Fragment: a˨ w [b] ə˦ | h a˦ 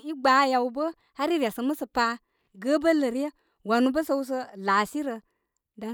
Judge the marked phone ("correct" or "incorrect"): correct